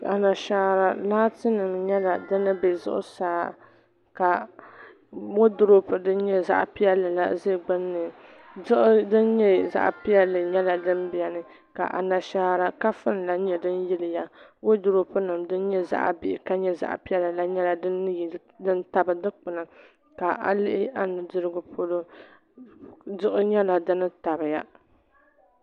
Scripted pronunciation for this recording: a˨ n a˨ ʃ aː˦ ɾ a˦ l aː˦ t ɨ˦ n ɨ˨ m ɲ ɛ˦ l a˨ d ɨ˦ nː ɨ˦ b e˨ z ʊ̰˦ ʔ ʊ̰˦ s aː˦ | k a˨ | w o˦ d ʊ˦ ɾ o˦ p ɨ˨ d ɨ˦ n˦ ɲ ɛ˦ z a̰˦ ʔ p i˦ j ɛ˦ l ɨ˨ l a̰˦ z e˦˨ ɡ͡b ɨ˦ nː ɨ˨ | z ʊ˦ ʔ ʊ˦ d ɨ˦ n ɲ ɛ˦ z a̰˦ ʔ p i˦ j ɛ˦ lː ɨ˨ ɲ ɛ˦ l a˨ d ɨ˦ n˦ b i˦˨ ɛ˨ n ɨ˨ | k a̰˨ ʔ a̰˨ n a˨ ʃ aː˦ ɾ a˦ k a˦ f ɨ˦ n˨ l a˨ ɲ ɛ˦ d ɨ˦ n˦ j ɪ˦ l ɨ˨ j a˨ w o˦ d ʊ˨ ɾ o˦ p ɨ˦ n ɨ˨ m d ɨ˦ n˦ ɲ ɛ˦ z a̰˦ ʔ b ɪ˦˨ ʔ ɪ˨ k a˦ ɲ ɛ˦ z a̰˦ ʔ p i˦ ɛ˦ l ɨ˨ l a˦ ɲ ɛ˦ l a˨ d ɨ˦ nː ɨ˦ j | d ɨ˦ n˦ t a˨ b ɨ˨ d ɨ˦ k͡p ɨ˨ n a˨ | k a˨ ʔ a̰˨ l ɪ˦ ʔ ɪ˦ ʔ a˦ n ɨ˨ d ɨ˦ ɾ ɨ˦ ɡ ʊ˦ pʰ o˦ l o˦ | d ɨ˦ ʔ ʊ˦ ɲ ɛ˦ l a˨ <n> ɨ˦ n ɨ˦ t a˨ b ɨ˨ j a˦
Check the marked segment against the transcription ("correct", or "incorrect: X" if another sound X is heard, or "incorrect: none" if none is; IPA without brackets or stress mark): incorrect: d